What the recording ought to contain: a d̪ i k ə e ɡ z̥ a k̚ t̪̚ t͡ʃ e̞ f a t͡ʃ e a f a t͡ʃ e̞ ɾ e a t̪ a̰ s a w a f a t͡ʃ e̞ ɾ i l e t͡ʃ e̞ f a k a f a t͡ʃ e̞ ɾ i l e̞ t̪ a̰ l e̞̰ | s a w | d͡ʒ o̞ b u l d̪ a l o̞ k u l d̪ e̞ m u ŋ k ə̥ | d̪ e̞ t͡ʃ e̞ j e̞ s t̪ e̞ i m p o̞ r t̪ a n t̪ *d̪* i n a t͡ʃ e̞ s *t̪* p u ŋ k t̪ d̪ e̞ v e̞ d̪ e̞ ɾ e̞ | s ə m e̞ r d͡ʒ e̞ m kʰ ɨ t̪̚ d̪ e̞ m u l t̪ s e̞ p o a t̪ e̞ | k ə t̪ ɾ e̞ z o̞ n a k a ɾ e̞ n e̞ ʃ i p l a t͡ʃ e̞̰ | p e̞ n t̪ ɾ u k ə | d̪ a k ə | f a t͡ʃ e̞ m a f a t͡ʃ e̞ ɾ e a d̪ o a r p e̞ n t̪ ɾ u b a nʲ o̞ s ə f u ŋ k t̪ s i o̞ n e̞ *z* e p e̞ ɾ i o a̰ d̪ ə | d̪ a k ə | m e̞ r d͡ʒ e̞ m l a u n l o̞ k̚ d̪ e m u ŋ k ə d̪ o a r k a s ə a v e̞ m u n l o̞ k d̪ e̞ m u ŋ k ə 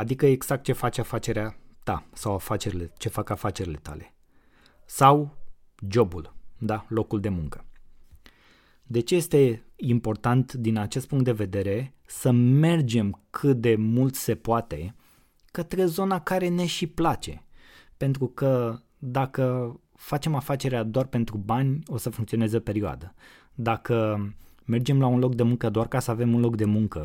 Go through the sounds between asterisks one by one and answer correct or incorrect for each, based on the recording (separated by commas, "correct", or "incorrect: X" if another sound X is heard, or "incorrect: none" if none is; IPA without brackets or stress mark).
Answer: correct, correct, correct